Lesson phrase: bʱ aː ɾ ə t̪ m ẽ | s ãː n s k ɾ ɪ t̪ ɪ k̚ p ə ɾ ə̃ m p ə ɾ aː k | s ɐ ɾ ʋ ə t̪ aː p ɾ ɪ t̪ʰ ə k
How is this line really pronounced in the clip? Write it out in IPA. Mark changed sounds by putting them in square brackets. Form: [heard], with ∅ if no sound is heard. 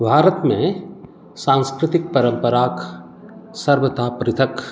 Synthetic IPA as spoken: bʱ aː ɾ ə t̪ m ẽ | s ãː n s k ɾ ɪ t̪ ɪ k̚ p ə ɾ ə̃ m p ə ɾ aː k | s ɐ ɾ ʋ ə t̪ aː p ɾ ɪ t̪ʰ ə k